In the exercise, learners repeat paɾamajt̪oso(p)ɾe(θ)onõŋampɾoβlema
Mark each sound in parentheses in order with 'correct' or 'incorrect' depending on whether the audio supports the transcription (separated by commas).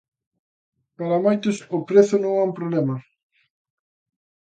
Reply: correct, correct